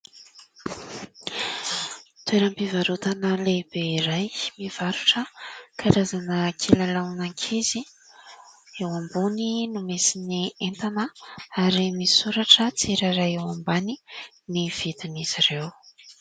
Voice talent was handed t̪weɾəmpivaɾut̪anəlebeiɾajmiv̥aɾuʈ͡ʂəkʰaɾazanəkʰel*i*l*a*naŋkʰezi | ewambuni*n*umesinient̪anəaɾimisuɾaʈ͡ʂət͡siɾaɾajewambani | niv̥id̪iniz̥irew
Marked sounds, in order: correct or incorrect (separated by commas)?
incorrect, correct, correct